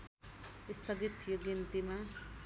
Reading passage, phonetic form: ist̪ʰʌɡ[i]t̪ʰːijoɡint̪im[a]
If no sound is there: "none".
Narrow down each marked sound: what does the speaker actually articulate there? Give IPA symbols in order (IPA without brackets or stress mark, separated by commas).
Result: i, a